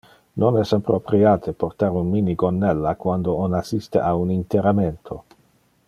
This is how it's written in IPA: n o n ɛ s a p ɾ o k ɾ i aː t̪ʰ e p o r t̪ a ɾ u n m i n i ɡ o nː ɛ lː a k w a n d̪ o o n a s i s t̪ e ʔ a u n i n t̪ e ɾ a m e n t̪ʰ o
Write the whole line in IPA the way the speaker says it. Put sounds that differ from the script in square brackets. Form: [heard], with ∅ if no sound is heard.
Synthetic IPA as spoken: n o n ɛ s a p ɾ o [p] ɾ i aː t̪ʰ e p o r t̪ a ɾ u n m i n i ɡ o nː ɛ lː a k w a n d̪ o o n a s i s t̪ e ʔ a u n i n t̪ e ɾ a m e n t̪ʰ o